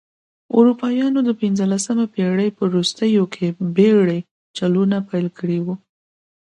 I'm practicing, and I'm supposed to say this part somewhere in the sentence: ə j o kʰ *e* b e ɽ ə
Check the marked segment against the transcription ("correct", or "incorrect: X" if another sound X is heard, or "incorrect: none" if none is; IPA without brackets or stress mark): correct